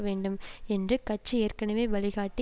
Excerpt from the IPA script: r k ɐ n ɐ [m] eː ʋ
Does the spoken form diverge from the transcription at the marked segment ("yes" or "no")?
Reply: no